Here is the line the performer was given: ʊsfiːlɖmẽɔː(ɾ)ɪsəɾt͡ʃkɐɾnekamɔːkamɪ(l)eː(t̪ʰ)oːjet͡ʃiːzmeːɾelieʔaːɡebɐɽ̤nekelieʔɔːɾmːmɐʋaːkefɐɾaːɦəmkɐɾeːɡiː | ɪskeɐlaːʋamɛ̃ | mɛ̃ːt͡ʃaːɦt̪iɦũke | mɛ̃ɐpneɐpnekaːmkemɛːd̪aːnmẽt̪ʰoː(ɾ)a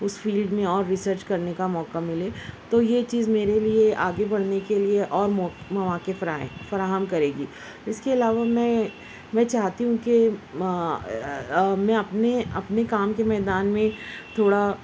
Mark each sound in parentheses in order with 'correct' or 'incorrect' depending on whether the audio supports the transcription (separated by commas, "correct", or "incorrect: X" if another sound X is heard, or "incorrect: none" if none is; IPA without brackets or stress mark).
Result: incorrect: ɾː, correct, incorrect: t̪, incorrect: ɽ